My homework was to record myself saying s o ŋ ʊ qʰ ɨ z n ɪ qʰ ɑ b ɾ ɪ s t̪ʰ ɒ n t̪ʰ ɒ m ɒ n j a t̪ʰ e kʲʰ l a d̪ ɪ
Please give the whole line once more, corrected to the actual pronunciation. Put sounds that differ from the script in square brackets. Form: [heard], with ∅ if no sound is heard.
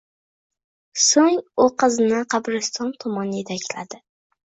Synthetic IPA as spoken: s o ŋ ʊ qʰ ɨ z n ɪ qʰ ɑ b ɾ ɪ s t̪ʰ ɒ n t̪ʰ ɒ m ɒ n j [e] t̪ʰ [a] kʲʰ l a d̪ ɪ